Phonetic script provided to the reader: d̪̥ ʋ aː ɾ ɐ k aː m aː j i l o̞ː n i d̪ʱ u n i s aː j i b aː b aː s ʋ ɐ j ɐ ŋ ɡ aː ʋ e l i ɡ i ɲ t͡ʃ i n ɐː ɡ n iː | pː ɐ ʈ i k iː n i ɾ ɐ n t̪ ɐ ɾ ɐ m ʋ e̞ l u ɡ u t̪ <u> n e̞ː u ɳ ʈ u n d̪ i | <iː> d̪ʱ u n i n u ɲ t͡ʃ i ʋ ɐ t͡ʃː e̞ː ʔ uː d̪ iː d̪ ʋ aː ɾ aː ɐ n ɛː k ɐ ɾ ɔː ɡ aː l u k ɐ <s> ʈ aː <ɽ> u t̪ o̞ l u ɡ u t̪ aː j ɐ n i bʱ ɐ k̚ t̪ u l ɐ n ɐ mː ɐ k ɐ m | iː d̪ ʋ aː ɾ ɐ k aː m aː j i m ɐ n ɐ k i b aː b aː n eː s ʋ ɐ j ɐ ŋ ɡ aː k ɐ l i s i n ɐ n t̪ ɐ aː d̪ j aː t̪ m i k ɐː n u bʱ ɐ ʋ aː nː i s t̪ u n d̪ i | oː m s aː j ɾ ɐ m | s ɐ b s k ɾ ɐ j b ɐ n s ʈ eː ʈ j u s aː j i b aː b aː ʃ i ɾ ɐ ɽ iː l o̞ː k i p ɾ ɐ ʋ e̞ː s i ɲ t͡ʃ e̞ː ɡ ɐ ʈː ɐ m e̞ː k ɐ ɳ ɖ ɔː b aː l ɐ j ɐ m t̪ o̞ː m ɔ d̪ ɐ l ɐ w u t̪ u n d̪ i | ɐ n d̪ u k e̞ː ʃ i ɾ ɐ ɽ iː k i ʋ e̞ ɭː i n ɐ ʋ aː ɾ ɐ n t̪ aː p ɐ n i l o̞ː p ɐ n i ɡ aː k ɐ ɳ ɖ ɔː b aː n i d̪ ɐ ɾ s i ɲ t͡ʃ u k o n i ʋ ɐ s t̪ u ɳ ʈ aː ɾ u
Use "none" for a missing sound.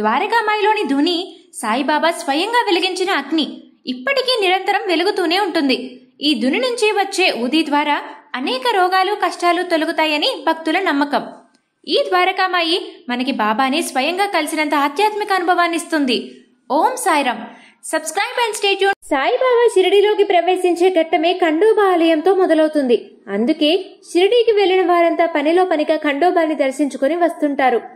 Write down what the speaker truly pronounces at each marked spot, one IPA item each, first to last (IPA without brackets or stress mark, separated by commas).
uː, iː, ʂ, l